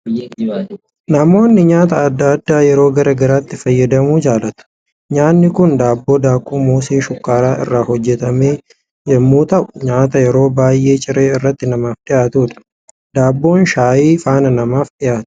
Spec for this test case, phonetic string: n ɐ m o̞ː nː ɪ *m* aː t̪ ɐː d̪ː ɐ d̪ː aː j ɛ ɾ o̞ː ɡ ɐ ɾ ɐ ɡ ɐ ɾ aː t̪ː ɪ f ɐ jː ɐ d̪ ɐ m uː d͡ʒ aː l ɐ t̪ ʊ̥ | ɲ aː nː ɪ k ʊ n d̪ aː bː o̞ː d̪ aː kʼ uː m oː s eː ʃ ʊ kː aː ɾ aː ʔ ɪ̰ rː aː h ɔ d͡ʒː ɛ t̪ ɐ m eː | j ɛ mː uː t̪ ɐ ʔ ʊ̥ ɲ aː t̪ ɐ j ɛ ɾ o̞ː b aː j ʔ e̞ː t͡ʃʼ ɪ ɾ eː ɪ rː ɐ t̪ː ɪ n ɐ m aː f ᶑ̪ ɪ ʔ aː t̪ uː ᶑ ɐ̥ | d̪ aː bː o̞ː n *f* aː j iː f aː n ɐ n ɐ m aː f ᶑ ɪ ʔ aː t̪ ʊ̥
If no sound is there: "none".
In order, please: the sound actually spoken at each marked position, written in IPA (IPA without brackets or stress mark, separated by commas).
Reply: ɲ, ʃ